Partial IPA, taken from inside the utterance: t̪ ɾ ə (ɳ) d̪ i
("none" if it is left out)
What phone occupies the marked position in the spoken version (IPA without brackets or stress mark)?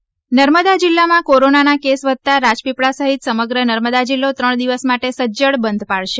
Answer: ɳ